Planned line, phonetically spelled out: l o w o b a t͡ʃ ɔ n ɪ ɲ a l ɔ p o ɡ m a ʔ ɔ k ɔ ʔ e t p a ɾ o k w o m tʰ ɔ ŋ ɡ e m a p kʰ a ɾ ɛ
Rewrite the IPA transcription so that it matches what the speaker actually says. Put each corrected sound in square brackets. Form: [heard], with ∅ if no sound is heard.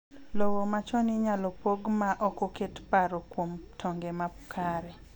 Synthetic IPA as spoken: l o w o [m] a t͡ʃ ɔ n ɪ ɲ a l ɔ p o ɡ m a ʔ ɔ k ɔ [k] e t p a ɾ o k w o m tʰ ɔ ŋ ɡ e m a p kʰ a ɾ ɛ

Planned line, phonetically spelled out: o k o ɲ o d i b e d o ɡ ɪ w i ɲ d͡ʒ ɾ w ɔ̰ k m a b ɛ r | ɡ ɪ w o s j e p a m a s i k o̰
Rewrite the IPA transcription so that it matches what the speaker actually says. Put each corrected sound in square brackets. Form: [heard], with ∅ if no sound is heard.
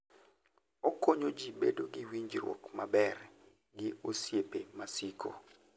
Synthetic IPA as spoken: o k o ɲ o [d͡ʒ] i b e d o ɡ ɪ w i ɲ d͡ʒ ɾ w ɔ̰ k m a b ɛ r | ɡ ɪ [∅] o s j e p [e] m a s i k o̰

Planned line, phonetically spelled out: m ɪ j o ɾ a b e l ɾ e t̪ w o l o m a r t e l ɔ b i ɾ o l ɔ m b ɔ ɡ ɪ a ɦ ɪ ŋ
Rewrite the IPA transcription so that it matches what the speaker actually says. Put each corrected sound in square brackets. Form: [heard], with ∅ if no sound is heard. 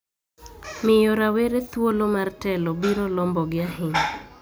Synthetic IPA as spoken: m ɪ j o ɾ a [w] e [∅] ɾ e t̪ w o l o m a r t [ɛ] l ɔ b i ɾ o l ɔ m b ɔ ɡ ɪ a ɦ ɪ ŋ

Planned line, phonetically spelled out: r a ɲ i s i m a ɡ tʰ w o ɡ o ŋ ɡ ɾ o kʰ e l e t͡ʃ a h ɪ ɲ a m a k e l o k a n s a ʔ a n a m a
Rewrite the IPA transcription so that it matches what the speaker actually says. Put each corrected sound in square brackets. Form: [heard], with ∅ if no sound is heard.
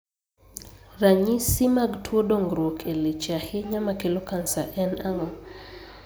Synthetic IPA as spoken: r a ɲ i s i m a ɡ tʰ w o [d] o ŋ ɡ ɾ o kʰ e l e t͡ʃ a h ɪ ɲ a m a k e l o k a n s a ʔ [ɛ] n a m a

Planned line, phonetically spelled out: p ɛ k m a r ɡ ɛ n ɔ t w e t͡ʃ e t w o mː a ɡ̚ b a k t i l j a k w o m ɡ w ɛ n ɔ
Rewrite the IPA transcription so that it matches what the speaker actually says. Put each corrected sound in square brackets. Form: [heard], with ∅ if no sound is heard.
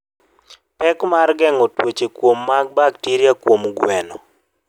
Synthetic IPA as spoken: p ɛ k m a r ɡ ɛ [ŋ] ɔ t w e t͡ʃ e [k] w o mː a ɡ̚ b a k t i [ɾ] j a k w o m ɡ w ɛ n ɔ

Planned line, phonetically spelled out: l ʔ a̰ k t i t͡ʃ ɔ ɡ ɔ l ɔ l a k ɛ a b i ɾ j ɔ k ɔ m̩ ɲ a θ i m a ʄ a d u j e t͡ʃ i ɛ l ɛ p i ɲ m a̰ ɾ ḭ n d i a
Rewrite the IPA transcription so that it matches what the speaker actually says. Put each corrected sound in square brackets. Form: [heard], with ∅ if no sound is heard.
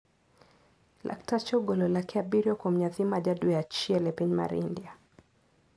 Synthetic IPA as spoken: l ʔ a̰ k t [a] t͡ʃ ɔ ɡ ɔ l ɔ l a k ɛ a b i ɾ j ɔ k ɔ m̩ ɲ a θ i m a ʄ a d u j [a] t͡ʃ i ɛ l ɛ p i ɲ m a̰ ɾ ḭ n d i a

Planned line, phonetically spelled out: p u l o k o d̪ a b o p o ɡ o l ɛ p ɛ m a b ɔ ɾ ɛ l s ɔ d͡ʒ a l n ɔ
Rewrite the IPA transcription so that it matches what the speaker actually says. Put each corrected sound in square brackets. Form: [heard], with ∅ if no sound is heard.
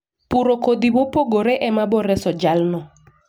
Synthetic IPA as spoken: p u [ɾ] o k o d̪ [i] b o p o ɡ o [ɾ] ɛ [ʔ] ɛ m a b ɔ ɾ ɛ [∅] s ɔ d͡ʒ a l n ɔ

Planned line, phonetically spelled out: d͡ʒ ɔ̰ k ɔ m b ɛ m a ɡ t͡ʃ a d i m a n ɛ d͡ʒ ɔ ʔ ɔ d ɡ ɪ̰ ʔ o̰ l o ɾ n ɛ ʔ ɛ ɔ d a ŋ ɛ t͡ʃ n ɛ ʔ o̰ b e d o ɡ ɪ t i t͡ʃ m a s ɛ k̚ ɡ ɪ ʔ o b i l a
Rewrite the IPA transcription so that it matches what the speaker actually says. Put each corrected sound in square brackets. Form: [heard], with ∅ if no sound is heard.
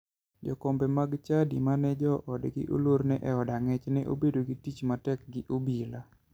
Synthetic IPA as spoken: d͡ʒ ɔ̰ k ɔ m b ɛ m a ɡ t͡ʃ a d i m a n ɛ d͡ʒ ɔ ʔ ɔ d ɡ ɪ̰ ʔ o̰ l o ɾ n ɛ ʔ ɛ ɔ d a ŋ ɛ t͡ʃ n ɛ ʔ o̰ b e d o ɡ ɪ t i t͡ʃ m a [t] ɛ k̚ ɡ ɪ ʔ o b i l a

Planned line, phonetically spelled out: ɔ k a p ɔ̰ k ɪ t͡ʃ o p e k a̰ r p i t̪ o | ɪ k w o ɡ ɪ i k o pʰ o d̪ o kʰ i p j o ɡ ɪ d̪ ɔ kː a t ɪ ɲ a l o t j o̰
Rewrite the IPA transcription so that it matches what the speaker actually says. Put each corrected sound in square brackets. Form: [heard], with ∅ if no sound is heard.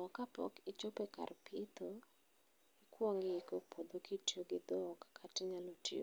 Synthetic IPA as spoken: ɔ k a p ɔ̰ k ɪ t͡ʃ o p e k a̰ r p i t̪ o | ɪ k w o [ŋ] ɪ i k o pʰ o d̪ o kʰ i [t] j o ɡ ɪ d̪ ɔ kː a t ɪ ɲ a l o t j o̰

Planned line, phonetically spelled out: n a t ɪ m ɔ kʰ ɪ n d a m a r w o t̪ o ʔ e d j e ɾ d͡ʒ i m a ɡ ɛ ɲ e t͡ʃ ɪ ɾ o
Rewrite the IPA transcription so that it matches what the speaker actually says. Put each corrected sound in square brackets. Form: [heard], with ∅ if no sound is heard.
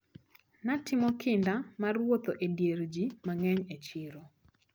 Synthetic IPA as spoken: n a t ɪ m ɔ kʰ ɪ n d a m a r w o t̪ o ʔ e d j e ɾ d͡ʒ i m a [ŋ] ɛ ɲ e t͡ʃ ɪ ɾ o

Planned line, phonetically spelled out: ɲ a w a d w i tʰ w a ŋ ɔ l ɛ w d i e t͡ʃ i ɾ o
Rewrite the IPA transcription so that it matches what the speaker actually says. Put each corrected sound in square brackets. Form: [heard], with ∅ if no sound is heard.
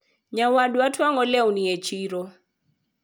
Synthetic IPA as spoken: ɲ a w a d w [a] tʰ w a ŋ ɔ l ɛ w [n] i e t͡ʃ i ɾ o

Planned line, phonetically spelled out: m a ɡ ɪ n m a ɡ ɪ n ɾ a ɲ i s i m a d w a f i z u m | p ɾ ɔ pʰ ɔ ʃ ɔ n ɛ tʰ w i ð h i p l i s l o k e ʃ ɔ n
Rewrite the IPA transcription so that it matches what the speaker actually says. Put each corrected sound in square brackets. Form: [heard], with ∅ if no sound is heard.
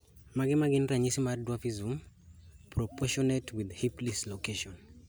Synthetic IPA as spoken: m a ɡ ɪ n m a ɡ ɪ n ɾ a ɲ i s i m a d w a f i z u m | p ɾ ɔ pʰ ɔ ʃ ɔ n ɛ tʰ w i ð h i p l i s l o k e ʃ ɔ n

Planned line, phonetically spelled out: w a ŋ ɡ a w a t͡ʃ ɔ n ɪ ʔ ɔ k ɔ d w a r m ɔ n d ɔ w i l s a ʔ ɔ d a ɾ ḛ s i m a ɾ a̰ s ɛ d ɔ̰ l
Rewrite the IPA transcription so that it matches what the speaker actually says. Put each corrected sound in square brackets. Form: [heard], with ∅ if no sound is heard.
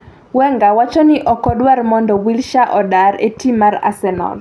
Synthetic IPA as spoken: w [ɛ] ŋ ɡ a w a t͡ʃ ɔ n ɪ ʔ ɔ k ɔ d w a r m ɔ n d ɔ w i l [ʃ] a ʔ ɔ d a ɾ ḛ [t] i m a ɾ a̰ s ɛ [n] ɔ̰ l

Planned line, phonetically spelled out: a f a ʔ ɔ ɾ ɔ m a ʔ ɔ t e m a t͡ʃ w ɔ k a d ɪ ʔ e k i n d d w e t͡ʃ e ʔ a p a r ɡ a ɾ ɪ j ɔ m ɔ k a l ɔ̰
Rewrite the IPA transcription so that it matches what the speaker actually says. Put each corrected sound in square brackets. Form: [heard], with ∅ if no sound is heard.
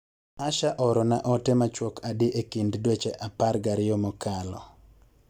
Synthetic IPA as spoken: a [ʃ] a ʔ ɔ ɾ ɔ [n] a ʔ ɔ t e m a t͡ʃ w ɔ k a d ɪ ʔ e k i n d d w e t͡ʃ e ʔ a p a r ɡ a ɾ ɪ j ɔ m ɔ k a l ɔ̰

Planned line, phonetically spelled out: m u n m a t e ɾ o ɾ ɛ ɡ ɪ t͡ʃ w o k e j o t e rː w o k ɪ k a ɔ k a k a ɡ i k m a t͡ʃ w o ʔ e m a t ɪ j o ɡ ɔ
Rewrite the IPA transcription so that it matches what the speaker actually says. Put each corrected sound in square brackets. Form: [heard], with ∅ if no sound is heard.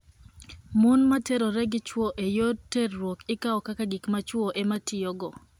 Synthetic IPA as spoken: m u n m a t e ɾ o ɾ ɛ ɡ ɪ t͡ʃ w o [ʔ] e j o t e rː w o k ɪ k a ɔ k a k a ɡ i k m a t͡ʃ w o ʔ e m a t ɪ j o ɡ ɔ

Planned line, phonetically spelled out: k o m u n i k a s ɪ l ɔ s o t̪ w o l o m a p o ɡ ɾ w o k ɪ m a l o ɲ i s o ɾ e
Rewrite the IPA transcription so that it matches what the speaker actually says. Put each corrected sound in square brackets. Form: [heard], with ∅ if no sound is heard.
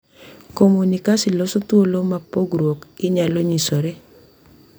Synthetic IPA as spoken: k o m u n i k a s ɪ l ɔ s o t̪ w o l o m a p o ɡ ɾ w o k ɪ [ɲ] a l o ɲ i s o ɾ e

